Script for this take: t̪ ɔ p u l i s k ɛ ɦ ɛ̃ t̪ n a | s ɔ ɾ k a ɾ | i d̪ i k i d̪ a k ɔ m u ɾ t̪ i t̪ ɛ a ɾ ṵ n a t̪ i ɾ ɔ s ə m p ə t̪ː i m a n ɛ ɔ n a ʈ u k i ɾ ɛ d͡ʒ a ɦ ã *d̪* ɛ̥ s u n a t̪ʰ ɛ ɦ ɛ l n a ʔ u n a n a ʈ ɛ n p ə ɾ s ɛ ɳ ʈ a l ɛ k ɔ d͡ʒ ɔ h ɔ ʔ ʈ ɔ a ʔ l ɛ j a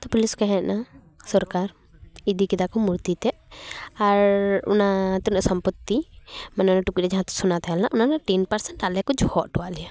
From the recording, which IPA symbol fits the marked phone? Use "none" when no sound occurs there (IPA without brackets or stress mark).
t̪